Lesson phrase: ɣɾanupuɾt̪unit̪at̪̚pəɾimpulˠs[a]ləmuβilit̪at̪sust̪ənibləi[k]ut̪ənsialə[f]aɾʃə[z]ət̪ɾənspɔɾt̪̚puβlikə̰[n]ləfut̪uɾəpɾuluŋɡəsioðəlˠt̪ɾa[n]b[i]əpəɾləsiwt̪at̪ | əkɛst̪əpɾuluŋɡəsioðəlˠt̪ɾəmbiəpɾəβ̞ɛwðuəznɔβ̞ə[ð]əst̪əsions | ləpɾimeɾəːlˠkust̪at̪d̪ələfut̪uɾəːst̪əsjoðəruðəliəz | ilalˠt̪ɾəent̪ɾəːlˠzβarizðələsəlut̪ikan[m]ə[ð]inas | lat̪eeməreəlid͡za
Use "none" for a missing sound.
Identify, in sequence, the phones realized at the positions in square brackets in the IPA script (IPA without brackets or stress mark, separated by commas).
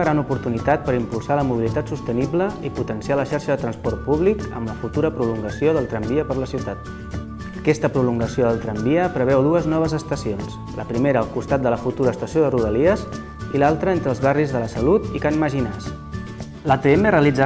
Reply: a, p, ʃ, ð, m, m, i, z, m, ʒ